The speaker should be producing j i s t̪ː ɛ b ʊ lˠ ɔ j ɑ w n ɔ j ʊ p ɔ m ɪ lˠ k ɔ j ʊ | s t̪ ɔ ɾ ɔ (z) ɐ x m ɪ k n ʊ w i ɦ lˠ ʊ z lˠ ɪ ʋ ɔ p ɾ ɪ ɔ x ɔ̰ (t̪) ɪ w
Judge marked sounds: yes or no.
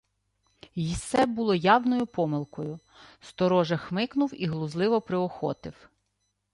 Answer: no, yes

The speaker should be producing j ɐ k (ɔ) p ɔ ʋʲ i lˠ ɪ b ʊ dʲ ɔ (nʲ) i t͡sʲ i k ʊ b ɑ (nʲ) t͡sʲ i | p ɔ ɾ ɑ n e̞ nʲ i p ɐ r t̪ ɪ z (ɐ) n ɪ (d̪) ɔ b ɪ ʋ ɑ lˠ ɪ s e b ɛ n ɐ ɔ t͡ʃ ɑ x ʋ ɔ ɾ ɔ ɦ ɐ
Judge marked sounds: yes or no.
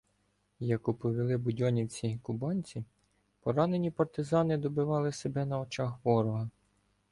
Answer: no, yes, yes, no, yes

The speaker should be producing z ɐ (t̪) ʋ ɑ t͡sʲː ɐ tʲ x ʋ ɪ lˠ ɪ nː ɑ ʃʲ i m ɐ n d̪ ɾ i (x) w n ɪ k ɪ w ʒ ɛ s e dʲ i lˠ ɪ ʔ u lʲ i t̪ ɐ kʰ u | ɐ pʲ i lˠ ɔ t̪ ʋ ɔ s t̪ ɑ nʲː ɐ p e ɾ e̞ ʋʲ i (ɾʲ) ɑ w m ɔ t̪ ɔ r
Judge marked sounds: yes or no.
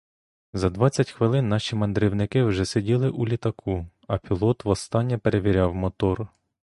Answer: no, no, yes

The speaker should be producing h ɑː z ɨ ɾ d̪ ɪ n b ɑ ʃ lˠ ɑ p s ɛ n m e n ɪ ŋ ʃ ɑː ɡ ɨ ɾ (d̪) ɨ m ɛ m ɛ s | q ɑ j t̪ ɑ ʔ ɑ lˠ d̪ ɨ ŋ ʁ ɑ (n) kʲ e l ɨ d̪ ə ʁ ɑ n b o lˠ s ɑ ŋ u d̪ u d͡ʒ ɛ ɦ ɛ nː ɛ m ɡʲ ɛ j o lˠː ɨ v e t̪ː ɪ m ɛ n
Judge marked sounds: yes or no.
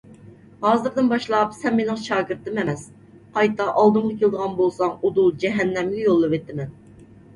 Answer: no, no

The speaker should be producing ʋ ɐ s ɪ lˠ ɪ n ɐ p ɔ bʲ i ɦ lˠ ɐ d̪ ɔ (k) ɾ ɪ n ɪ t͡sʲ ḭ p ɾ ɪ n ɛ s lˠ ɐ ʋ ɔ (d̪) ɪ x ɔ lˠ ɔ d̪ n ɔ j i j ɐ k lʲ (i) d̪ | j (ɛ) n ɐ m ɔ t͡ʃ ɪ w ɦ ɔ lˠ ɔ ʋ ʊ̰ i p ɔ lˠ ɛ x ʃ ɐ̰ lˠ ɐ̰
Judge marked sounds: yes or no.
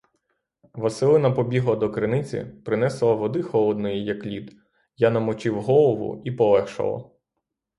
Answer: yes, yes, yes, no

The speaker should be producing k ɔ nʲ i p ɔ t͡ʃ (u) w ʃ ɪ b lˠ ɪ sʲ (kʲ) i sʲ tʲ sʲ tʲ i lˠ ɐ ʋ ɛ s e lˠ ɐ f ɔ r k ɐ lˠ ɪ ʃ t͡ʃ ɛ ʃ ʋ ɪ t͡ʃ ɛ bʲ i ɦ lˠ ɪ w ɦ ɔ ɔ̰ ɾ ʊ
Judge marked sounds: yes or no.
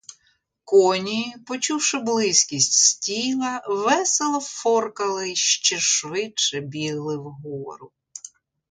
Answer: yes, yes

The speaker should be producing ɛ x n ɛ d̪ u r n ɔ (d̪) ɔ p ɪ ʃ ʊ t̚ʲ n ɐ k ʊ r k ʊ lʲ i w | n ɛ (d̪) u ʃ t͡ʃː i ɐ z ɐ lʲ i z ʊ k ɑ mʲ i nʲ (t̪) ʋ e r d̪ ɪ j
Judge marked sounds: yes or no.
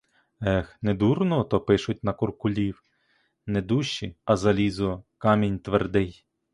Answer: no, yes, yes

